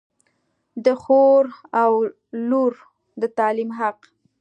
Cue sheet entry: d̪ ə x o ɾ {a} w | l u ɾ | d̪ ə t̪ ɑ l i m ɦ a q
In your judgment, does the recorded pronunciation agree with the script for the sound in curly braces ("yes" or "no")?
yes